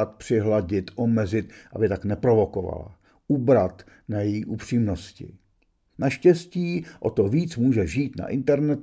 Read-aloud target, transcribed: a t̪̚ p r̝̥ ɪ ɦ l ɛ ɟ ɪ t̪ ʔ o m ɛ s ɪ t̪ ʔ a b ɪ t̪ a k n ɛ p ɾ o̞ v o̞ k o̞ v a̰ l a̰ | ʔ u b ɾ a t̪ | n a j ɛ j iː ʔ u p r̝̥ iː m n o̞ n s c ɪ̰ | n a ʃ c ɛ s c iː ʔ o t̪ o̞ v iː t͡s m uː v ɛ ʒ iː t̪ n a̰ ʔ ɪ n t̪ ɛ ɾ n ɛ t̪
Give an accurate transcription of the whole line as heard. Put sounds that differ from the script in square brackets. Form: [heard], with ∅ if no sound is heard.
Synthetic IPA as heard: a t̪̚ p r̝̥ ɪ ɦ l [a] ɟ ɪ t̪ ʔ o m ɛ [z] ɪ t̪ ʔ a b ɪ t̪ a k n ɛ p ɾ o̞ v o̞ k o̞ v a̰ l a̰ | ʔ u b ɾ a t̪ | n a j ɛ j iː ʔ u p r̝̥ iː m n o̞ [∅] s c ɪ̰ | n a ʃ c ɛ s c iː ʔ o t̪ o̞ v iː t͡s m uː [ʒ] ɛ ʒ iː t̪ n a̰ ʔ ɪ n t̪ ɛ ɾ n ɛ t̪